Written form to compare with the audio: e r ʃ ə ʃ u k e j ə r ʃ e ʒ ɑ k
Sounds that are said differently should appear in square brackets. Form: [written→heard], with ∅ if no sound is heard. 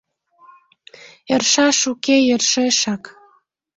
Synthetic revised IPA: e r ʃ [ə→ɑ] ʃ u k e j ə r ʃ e [ʒ→ʃ] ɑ k